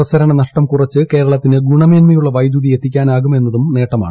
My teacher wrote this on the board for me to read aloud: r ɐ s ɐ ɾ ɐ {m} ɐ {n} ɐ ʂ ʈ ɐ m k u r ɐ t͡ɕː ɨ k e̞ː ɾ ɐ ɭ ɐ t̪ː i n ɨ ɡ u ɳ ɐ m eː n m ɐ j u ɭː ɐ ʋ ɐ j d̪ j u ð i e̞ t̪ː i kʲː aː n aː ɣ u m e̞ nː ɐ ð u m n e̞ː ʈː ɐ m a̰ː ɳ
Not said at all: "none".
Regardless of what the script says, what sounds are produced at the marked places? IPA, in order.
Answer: ɳ, n

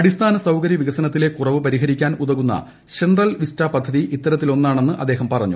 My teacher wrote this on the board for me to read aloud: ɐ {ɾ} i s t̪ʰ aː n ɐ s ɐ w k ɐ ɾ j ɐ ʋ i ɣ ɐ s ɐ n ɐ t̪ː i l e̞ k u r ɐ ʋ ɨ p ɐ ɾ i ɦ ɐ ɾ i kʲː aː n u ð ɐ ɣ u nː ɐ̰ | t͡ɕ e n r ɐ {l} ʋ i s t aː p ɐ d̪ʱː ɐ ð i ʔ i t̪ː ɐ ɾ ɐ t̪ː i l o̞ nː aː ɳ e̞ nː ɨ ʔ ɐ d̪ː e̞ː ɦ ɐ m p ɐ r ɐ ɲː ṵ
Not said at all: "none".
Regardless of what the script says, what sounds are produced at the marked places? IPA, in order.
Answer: ɽ, l

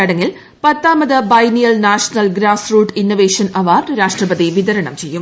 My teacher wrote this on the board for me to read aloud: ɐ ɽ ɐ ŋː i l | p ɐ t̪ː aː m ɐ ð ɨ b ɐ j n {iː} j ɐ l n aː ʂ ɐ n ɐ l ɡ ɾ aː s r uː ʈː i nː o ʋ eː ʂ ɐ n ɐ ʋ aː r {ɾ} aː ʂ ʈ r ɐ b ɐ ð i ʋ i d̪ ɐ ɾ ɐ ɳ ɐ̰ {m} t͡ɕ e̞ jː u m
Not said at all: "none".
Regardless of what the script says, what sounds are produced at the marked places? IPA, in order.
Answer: i, ɾ, m

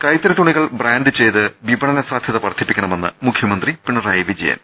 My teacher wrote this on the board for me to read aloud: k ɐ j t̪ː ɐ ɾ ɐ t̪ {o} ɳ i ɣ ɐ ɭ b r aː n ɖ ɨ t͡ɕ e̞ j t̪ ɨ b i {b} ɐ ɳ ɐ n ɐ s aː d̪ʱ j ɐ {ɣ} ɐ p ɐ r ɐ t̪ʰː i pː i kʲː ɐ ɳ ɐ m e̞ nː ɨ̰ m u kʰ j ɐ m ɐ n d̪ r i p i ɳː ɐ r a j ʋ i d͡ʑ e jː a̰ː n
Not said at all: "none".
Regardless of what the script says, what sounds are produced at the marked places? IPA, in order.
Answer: u, b, ð

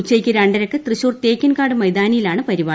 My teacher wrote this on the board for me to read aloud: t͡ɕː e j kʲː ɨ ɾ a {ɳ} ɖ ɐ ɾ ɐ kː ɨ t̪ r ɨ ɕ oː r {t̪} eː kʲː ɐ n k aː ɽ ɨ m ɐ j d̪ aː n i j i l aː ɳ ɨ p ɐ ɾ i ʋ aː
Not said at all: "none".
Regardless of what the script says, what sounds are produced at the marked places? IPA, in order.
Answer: ɳ, t̪

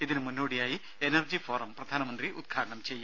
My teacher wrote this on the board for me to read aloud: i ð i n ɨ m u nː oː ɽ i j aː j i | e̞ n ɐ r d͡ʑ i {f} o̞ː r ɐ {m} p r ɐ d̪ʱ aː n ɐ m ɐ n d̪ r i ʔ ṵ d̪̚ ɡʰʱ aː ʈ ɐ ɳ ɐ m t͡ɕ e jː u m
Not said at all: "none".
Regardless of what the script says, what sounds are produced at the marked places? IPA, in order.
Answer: f, m

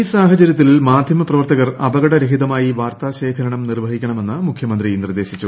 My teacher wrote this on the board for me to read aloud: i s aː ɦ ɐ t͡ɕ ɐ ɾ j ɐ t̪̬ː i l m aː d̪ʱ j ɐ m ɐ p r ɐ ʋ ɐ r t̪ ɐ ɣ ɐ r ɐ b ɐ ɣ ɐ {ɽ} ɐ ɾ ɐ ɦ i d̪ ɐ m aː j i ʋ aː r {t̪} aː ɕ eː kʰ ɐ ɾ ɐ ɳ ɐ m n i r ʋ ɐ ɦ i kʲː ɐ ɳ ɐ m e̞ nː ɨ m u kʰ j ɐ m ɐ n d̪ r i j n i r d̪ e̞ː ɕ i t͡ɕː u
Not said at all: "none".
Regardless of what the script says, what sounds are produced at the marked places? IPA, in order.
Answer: ɽ, t̪

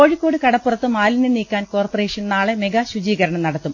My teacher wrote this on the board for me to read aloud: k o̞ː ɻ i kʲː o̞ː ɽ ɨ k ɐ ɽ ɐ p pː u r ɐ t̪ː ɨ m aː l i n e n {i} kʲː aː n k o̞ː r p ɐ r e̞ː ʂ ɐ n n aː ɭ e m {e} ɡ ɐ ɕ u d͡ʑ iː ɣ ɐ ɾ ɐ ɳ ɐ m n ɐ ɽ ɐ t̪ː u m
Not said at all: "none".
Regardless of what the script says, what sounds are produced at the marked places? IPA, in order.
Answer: iː, e

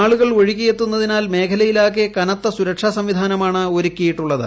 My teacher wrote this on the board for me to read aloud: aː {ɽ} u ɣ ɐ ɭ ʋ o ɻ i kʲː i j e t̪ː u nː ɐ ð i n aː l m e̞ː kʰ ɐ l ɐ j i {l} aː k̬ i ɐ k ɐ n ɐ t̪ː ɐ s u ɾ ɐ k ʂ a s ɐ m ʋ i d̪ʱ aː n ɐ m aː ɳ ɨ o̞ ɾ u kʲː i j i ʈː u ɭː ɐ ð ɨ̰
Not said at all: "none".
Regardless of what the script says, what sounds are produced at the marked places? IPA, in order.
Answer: ɭ, l

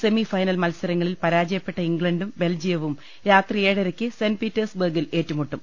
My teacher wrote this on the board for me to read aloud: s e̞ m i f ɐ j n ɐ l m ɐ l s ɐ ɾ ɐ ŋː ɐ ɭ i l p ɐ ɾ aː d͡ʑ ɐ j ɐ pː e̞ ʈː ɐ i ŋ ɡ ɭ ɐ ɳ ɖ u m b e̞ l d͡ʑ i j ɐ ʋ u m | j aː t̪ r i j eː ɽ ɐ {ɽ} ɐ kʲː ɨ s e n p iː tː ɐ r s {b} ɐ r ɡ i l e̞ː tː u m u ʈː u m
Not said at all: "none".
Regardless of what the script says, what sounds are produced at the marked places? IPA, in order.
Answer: ɾ, b

